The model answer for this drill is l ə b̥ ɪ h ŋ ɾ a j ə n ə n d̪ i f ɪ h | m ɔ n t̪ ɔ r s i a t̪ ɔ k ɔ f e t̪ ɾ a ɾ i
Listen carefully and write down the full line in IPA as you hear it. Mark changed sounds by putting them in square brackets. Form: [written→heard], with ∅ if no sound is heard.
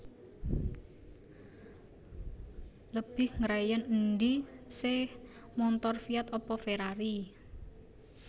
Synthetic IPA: l ə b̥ ɪ h ŋ ɾ a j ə n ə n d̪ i [f→s] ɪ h | m ɔ n t̪ ɔ r [s→f] i a t̪ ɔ [k→p] ɔ f e [t̪→∅] ɾ a ɾ i